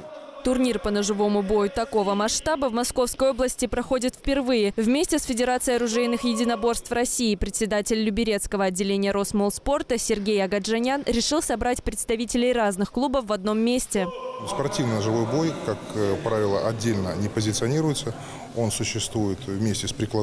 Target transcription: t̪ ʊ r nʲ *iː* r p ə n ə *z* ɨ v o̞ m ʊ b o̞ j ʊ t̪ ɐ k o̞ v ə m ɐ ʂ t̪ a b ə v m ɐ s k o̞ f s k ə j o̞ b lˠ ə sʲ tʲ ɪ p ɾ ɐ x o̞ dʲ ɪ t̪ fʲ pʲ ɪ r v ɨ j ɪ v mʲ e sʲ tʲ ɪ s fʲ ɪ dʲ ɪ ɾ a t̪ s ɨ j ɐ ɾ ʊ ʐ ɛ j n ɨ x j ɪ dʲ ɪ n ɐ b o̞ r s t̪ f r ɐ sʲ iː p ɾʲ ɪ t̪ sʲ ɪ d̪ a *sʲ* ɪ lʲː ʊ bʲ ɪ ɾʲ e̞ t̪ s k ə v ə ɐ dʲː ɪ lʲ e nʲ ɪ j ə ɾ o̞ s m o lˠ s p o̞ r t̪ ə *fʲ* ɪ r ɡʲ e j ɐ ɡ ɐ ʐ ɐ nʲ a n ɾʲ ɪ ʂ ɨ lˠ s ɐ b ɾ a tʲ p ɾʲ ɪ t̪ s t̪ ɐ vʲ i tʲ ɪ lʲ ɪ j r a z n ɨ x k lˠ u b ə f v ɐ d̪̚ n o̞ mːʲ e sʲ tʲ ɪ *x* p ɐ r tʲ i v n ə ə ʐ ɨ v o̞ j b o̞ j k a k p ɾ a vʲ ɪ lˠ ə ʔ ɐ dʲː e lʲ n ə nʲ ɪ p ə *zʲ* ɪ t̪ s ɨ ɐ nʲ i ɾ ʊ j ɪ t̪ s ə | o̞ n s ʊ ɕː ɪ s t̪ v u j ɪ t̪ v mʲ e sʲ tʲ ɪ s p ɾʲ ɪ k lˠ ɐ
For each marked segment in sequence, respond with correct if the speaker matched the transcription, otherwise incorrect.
incorrect: i, incorrect: ʐ, incorrect: tʲ, incorrect: sʲ, incorrect: s, correct

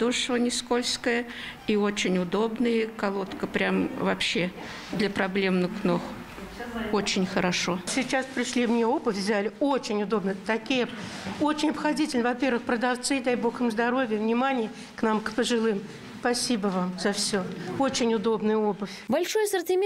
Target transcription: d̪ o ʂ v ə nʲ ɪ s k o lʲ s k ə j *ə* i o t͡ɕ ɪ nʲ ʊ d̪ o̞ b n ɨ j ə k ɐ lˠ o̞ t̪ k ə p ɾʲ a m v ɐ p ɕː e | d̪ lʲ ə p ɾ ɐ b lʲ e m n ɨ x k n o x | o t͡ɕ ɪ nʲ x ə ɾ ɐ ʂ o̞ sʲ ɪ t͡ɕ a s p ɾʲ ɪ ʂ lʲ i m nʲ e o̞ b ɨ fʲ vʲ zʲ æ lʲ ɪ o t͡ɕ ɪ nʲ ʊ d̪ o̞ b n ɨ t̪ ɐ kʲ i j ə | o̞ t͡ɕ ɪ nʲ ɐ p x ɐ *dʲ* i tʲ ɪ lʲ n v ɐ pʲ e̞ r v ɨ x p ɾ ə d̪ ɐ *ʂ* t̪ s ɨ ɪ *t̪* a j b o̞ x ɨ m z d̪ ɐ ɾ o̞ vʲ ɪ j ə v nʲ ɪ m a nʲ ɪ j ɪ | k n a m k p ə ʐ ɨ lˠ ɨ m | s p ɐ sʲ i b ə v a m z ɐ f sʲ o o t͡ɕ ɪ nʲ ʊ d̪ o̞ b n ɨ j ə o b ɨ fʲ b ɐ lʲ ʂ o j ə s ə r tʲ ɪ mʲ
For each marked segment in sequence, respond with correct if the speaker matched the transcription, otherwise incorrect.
correct, correct, incorrect: f, incorrect: d̪

